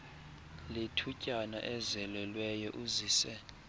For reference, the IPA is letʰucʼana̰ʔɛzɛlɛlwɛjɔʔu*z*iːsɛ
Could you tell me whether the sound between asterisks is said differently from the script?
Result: no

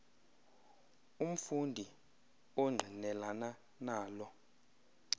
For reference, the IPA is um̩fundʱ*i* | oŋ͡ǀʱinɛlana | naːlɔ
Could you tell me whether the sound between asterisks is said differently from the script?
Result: no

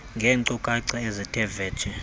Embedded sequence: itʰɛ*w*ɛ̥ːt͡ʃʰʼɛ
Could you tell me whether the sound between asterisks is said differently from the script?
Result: yes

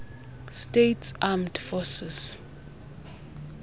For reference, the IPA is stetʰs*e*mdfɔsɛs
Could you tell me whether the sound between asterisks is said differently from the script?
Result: yes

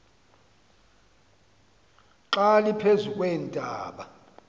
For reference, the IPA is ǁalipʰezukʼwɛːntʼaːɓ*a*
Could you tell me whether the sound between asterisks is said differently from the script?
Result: no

